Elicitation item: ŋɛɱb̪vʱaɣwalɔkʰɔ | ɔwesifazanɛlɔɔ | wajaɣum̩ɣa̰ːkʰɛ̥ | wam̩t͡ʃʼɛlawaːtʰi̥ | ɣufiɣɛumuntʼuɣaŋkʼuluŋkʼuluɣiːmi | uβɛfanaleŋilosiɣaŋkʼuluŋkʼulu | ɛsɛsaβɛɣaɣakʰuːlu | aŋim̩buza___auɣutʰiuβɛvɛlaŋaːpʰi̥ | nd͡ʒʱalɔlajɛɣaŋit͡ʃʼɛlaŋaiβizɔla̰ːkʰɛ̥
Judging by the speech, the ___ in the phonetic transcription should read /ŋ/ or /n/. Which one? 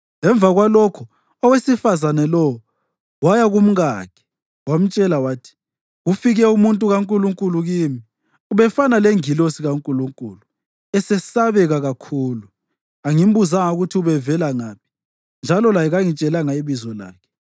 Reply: ŋ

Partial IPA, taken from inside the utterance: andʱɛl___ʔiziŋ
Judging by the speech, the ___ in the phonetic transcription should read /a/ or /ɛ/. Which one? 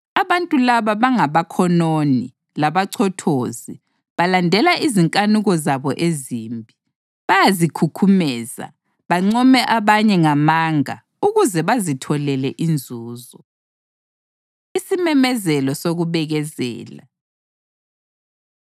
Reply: a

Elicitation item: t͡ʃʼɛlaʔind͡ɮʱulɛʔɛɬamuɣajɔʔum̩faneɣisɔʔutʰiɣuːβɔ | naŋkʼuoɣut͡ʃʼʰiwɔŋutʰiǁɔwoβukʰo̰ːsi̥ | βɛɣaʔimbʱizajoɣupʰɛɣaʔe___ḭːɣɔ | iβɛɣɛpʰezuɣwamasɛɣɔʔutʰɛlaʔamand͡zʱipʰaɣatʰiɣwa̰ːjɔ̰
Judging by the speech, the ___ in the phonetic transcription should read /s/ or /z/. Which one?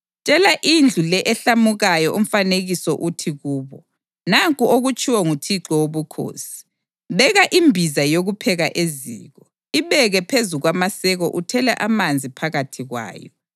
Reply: z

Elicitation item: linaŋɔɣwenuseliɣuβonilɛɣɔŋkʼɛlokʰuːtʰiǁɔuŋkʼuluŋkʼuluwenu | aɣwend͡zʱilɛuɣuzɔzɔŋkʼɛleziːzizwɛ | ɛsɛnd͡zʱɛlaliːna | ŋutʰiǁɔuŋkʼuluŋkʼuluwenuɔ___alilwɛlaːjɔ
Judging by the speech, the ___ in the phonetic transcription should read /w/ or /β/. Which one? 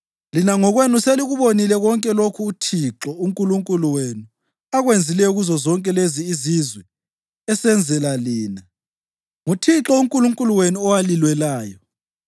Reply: w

